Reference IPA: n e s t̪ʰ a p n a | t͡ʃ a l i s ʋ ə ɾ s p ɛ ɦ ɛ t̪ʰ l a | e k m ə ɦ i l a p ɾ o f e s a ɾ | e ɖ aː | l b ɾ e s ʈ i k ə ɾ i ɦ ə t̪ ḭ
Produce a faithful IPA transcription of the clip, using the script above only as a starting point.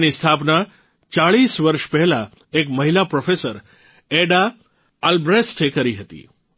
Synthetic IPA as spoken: n i s t̪ʰ a p n a | t͡ʃ a ɭ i s ʋ ə ɾ ʃ p ɛ ɦ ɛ l a | e k m ə ɦ i l a p ɾ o f e s ə ɾ | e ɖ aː | l b ɾ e s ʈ e k ə ɾ i ɦ ə t̪ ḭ